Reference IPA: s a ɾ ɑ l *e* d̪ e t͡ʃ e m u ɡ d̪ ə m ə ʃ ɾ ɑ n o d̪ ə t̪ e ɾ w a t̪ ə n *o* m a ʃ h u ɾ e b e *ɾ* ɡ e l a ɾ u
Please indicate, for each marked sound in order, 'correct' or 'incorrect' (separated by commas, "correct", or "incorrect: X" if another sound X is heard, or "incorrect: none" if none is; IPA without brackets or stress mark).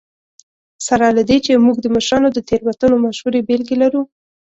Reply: incorrect: a, correct, incorrect: l